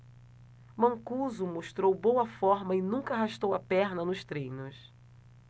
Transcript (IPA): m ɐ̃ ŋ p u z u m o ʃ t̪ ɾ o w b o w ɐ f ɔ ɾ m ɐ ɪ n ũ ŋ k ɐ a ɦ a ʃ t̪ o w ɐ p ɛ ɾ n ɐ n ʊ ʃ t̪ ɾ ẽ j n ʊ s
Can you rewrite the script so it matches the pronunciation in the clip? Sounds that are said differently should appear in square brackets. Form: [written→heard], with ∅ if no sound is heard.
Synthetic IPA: m ɐ̃ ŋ [p→k] u z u m o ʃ t̪ ɾ o w b o w ɐ f ɔ ɾ m ɐ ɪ n ũ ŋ k ɐ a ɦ a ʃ t̪ o w ɐ p ɛ ɾ n ɐ n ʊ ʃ t̪ ɾ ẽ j n ʊ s